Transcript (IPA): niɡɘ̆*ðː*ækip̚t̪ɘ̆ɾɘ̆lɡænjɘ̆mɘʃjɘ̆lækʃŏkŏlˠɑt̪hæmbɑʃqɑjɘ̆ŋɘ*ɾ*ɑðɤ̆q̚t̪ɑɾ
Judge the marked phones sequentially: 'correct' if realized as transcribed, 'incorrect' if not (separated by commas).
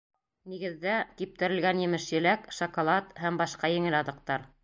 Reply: correct, incorrect